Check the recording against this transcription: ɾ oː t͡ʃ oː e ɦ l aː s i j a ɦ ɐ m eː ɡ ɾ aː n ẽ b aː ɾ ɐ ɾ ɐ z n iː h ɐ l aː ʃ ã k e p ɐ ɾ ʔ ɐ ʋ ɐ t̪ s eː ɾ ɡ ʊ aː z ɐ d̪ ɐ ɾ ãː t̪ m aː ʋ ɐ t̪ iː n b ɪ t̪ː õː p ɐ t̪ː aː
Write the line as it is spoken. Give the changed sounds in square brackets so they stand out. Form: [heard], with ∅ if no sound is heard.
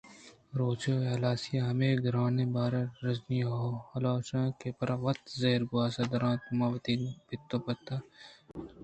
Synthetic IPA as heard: ɾ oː t͡ʃ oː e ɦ l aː s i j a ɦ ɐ m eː ɡ ɾ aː n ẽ b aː ɾ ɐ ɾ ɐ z n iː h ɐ l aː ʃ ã k e p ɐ ɾ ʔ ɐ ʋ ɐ t̪ [z] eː ɾ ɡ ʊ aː [s] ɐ d̪ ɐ ɾ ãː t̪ m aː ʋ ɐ t̪ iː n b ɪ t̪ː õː p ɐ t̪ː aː